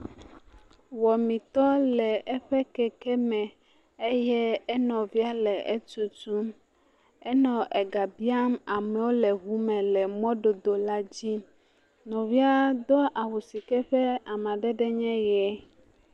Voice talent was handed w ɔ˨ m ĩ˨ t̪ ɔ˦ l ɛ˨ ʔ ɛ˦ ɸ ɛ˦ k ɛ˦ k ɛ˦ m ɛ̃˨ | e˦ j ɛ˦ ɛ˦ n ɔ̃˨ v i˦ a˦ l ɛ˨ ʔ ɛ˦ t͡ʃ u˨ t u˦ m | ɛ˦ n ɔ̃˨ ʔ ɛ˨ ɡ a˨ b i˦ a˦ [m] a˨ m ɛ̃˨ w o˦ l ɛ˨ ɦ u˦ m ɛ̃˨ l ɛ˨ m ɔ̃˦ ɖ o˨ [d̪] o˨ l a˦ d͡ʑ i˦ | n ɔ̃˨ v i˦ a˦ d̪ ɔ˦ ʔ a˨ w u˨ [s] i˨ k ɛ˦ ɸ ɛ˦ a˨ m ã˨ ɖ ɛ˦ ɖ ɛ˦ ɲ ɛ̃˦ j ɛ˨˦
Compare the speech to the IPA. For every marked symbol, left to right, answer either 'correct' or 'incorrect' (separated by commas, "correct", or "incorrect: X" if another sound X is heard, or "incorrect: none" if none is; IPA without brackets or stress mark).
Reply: correct, correct, correct